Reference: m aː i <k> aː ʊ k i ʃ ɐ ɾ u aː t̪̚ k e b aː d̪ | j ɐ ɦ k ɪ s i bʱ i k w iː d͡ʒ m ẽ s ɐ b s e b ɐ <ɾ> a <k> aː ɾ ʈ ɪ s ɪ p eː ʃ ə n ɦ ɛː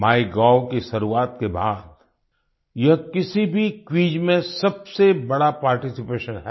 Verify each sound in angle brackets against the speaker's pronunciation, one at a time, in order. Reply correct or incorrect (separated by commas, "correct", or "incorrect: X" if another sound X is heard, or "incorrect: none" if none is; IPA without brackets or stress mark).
incorrect: ɡ, incorrect: ɽ, incorrect: p